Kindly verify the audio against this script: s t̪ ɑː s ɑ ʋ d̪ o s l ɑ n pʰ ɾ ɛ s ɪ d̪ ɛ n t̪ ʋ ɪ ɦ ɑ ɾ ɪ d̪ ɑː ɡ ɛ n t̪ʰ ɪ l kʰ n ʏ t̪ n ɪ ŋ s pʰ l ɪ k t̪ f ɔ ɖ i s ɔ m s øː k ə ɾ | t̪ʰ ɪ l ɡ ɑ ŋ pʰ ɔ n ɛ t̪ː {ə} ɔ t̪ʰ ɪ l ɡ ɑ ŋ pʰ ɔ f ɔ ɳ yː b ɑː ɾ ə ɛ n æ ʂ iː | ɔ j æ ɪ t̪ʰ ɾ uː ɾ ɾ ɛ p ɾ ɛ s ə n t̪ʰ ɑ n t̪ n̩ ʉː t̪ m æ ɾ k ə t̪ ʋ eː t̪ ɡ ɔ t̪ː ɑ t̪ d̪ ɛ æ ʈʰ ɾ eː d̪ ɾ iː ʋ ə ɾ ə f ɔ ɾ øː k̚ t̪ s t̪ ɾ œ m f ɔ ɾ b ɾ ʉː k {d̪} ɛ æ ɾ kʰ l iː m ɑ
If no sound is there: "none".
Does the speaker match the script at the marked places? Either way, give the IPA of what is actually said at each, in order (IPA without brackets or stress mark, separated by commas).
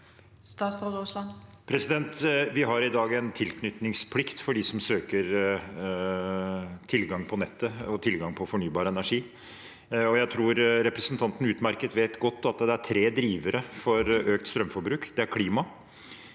ə, d̪